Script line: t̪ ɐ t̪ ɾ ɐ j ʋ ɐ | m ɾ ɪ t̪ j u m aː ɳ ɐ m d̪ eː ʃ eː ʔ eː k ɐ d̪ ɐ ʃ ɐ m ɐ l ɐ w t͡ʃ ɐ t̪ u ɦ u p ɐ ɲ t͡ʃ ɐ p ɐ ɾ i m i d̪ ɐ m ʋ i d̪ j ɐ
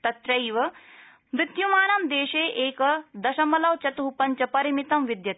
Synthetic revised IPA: t̪ ɐ t̪ ɾ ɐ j ʋ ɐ | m ɾ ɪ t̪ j u m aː n ɐ m d̪ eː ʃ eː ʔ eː k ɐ d̪ ɐ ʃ ɐ m ɐ l ɐ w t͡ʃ ɐ t̪ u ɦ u p ɐ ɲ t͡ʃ ɐ p ɐ ɾ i m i t̪ ɐ m ʋ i d̪ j ɐ